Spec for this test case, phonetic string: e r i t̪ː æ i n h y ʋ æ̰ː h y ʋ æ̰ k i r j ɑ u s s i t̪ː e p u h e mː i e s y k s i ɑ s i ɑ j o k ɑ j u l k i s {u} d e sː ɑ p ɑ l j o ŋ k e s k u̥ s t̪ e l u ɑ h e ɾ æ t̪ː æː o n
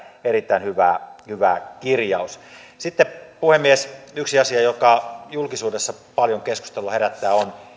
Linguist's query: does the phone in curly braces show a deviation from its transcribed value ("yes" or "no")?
yes